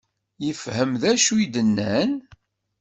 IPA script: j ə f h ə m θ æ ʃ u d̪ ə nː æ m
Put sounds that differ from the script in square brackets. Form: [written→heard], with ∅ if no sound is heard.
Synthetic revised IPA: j ə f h ə m [θ→ð] æ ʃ u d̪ ə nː æ [m→n]

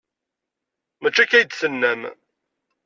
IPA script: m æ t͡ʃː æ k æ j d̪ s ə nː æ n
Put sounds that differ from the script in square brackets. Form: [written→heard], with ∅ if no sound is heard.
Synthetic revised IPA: m æ t͡ʃː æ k æ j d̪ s ə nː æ [n→m]

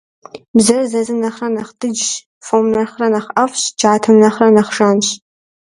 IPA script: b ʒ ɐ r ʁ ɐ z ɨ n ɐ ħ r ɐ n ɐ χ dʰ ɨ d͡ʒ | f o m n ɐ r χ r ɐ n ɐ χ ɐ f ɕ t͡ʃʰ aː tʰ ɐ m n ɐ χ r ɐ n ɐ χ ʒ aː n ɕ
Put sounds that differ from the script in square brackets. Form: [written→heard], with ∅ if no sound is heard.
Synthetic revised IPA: b [ʒ→z] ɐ r [ʁ→z] ɐ z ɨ n ɐ [ħ→χ] r ɐ n ɐ χ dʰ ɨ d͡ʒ | f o m n ɐ r χ r ɐ n ɐ χ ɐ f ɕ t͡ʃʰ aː tʰ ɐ m n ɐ χ r ɐ n ɐ χ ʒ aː n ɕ

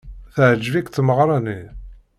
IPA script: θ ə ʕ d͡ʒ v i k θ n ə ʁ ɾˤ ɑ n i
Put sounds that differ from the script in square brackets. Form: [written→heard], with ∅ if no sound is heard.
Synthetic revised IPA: θ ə ʕ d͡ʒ v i k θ [n→m] ə ʁ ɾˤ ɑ n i

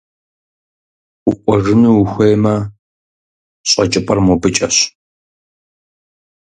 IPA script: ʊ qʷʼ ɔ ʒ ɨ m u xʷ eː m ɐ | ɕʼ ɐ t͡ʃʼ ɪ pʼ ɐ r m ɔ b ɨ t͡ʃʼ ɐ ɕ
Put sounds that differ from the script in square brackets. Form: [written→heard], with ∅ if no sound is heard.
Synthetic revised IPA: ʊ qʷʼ ɔ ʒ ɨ [m→n] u xʷ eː m ɐ | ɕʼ ɐ t͡ʃʼ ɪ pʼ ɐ r m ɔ b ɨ t͡ʃʼ ɐ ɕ

